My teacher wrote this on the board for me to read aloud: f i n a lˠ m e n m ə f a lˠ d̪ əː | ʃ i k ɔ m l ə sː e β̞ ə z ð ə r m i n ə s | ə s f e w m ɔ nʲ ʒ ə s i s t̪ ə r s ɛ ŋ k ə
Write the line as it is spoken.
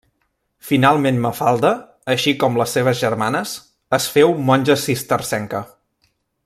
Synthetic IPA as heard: f i n a lˠ m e n m ə f a lˠ d̪ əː | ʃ i k ɔ m l ə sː e β̞ ə z ʒ ə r m a n ə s | ə s f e w m ɔ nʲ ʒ ə s i s t̪ ə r s ɛ ŋ k ə